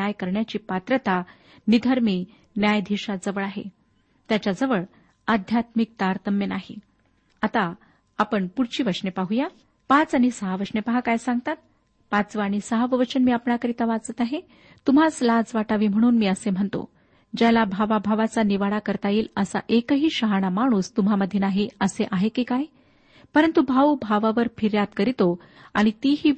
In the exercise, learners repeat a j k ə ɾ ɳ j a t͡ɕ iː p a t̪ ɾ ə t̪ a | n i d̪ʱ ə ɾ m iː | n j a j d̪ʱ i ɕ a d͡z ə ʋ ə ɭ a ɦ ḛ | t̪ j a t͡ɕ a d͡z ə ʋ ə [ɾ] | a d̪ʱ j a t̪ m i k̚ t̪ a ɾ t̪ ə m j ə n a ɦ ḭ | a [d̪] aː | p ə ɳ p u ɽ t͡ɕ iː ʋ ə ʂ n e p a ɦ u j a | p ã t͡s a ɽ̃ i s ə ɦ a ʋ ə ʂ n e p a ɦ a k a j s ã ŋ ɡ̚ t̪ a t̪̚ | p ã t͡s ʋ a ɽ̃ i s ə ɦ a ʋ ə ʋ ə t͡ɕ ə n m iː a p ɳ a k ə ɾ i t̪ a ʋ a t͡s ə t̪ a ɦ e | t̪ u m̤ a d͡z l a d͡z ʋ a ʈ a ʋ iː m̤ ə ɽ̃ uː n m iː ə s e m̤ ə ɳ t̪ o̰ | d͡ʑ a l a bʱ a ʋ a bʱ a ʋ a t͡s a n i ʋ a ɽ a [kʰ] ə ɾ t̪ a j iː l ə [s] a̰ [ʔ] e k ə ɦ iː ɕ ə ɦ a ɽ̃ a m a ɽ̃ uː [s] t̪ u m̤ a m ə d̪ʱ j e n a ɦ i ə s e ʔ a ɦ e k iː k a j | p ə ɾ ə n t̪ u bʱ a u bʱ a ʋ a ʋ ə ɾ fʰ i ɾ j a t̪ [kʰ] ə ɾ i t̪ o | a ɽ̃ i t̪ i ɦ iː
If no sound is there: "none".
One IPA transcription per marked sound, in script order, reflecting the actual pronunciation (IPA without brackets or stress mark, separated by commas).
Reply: ɭ, t̪, k, s, ʔ, s, k